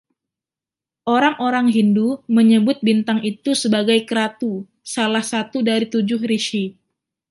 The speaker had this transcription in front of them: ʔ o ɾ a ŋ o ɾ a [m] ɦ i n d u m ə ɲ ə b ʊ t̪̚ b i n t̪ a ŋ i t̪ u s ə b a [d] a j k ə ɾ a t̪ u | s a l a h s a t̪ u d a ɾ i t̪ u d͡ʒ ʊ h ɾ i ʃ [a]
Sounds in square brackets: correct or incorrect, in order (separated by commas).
incorrect, incorrect, incorrect